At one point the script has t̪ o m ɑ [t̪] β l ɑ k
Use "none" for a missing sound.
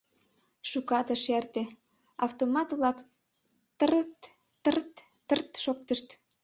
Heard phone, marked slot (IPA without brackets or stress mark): t̪